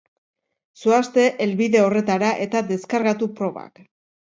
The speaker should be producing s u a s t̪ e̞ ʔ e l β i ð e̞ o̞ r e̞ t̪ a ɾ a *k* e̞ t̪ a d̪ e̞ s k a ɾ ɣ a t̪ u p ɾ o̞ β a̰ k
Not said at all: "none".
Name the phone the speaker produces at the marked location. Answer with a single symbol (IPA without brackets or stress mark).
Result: ʔ